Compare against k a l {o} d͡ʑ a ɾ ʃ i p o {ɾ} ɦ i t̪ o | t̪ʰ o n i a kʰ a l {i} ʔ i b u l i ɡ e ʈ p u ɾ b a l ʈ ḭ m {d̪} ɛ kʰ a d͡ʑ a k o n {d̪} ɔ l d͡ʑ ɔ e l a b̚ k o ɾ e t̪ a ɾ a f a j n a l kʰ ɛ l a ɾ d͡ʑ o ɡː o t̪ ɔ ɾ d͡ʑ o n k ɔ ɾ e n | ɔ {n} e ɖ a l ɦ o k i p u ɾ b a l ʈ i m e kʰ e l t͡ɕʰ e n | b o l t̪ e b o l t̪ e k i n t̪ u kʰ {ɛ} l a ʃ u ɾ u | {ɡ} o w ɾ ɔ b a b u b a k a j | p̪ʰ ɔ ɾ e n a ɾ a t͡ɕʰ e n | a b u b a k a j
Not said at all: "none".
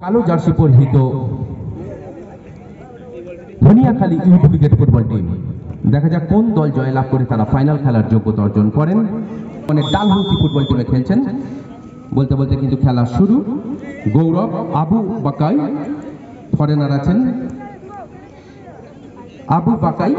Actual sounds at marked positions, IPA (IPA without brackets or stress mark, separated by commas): o, ɾ, i, d̪, d̪, n, ɛ, ɡ